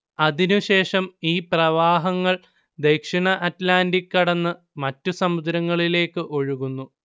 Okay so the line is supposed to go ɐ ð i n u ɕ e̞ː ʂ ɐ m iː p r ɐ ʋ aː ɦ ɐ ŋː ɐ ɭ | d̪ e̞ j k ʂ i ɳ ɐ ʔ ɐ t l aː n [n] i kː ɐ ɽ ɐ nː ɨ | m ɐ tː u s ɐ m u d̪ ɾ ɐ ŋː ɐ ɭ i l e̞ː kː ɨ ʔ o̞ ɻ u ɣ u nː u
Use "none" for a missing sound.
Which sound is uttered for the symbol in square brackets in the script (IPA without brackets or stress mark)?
d